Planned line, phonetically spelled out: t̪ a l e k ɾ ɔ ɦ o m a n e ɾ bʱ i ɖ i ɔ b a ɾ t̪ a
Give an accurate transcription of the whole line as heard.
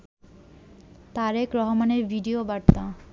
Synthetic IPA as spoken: t̪ a ɾ e k ɾ ɔ ɦ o m a n e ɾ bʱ i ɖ i o b a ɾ t̪ a